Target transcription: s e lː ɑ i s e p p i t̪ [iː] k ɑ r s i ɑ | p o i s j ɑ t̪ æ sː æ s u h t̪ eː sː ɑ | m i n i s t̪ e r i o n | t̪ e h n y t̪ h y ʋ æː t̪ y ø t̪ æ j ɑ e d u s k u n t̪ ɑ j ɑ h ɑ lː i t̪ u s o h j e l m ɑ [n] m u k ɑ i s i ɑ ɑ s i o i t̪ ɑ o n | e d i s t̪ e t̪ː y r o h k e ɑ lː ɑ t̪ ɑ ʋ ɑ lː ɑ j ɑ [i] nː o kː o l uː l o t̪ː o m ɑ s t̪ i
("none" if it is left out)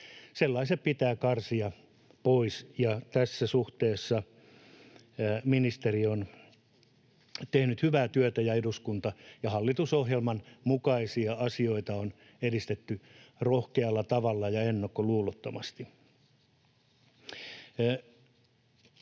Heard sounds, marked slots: æː, n, e

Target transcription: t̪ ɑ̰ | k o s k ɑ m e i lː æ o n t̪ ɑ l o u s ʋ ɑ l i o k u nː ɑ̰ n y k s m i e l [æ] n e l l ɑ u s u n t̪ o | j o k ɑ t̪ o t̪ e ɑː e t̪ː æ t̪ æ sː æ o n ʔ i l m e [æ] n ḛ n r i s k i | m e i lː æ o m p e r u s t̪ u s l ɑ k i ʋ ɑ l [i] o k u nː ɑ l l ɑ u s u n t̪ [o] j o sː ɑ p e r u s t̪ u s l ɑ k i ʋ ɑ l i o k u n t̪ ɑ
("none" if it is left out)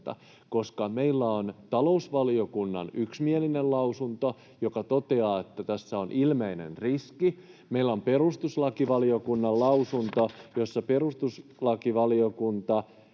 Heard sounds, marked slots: i, i, i, o

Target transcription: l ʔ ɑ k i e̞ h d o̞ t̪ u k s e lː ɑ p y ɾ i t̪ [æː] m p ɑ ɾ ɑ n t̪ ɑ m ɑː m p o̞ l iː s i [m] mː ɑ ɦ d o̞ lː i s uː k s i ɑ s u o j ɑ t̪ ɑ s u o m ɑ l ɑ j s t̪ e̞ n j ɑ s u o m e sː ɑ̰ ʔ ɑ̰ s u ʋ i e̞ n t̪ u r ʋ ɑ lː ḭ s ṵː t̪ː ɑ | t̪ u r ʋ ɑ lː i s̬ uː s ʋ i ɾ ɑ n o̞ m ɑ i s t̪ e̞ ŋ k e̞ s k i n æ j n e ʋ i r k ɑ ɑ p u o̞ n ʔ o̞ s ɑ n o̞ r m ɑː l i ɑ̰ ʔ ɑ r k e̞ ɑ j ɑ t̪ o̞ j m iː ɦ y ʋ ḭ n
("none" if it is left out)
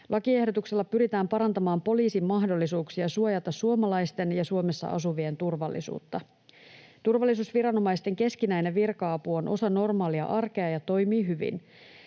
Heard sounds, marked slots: æː, m

